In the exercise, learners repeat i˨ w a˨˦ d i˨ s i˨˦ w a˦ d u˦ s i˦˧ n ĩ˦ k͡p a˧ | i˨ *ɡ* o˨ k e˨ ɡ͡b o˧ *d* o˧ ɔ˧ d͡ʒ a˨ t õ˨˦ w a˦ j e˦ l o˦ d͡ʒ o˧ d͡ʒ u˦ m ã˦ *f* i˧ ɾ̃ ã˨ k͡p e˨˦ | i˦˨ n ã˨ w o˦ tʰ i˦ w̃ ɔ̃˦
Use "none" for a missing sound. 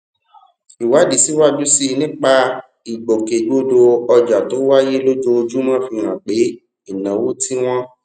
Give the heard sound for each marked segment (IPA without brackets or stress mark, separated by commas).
ɡ͡b, d, f